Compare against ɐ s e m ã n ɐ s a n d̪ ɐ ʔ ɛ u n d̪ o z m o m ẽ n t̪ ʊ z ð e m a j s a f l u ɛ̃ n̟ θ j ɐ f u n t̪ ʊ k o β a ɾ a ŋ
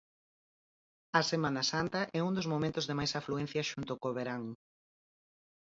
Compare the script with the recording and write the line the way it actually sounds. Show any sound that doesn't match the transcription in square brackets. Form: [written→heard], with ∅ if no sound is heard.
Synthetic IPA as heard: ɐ s e m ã n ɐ s a n [d̪→t̪] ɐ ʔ ɛ u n d̪ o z m o m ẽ n t̪ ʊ z ð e m a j s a f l u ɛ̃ n̟ θ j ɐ [f→ʃ] u n t̪ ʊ k o β [a→e] ɾ a ŋ